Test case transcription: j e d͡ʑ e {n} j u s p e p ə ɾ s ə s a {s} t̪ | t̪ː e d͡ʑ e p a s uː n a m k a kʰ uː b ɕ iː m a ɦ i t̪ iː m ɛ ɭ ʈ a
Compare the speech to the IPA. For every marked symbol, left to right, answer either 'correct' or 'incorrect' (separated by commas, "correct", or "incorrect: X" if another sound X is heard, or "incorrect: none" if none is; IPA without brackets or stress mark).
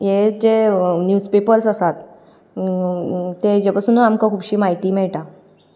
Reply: correct, incorrect: none